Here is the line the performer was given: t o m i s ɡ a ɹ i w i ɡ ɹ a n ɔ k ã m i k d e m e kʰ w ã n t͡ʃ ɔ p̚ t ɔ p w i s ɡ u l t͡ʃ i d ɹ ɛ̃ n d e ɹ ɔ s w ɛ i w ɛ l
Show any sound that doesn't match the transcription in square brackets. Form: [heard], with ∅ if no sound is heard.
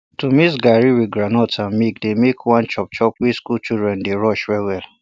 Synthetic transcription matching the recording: t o m i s ɡ a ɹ i w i ɡ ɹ a n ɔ [t] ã m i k d e m e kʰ w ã n t͡ʃ ɔ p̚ [t͡ʃ] ɔ p w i s [k] u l t͡ʃ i d ɹ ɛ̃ n d e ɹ ɔ [ʃ] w ɛ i w ɛ l